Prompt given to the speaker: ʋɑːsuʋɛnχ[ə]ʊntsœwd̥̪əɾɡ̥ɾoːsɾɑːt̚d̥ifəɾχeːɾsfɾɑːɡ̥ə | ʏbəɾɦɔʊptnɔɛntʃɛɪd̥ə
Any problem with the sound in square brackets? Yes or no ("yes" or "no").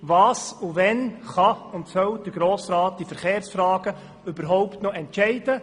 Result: yes